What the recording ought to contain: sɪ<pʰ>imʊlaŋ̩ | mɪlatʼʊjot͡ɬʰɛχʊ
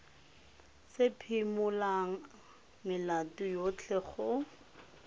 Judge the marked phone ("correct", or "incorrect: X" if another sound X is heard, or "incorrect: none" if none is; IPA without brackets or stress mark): correct